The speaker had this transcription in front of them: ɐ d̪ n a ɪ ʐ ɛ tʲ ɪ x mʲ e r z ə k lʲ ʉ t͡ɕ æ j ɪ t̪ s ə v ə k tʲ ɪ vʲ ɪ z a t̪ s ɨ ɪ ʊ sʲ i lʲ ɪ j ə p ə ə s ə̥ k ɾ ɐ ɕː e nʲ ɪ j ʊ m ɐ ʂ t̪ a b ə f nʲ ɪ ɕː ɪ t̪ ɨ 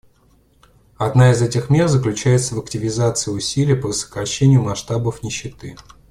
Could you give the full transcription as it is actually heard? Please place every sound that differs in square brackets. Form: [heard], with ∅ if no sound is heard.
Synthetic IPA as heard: ɐ d̪ n a ɪ [z] ɛ tʲ ɪ x mʲ e r z ə k lʲ ʉ t͡ɕ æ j ɪ t̪ s ə v ə k tʲ ɪ vʲ ɪ z a t̪ s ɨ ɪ ʊ sʲ i lʲ ɪ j ə p ə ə s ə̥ k ɾ ɐ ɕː e nʲ ɪ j ʊ m ɐ ʂ t̪ a b ə f nʲ ɪ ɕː ɪ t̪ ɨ